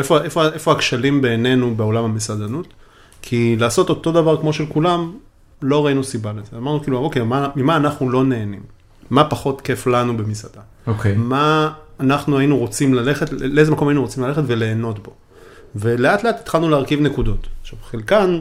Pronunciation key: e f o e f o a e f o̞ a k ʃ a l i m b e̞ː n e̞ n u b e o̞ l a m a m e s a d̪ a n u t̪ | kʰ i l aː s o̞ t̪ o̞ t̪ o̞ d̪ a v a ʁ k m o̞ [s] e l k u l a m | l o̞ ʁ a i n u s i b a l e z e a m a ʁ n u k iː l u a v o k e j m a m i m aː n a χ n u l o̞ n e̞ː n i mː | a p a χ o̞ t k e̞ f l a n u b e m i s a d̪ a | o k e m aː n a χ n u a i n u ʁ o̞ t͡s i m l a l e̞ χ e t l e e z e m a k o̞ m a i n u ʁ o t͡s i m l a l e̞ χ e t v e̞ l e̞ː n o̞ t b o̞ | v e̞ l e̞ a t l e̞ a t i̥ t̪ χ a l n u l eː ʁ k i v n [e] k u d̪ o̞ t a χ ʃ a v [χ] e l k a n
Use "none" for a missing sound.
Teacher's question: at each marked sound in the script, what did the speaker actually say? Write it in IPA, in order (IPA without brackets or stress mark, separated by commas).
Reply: ʃ, e, χ